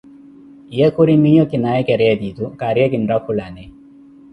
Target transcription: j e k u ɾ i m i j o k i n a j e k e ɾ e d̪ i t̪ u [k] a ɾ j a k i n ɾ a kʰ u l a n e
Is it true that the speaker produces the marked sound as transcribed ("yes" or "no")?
yes